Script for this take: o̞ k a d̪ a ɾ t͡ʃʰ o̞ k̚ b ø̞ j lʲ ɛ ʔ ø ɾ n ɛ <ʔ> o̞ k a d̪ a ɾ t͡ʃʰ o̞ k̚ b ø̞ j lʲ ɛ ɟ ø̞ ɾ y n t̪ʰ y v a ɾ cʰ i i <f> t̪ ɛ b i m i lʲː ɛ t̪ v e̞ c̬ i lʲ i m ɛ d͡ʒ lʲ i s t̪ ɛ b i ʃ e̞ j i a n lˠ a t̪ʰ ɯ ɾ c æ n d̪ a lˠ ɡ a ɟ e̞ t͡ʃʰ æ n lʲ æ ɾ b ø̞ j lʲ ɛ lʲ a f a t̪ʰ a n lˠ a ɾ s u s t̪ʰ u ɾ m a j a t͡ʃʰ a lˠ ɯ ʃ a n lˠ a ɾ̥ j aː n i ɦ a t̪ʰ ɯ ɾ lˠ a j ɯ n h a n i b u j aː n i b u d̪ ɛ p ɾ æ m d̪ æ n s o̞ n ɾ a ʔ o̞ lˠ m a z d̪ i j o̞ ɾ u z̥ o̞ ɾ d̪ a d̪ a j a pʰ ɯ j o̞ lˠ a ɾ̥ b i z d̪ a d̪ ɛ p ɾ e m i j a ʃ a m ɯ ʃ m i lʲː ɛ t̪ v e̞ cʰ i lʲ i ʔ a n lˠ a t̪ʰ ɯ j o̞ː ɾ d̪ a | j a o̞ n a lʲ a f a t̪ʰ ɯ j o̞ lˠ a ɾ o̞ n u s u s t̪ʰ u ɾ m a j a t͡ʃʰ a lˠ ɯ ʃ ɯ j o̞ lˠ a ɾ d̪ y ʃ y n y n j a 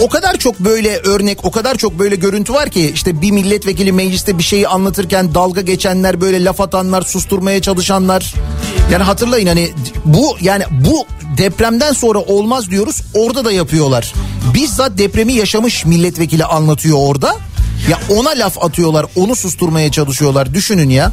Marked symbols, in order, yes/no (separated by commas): no, no